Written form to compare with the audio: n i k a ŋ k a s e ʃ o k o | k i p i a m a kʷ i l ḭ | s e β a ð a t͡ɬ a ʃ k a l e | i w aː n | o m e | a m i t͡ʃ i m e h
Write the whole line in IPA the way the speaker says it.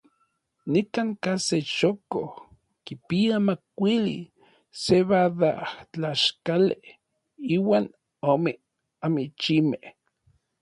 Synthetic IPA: n i k a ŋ k a s e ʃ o k o | k i p i a m a kʷ i l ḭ | s e β a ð a t͡ɬ a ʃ k a l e | i w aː n | o m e | a m i t͡ʃ i m e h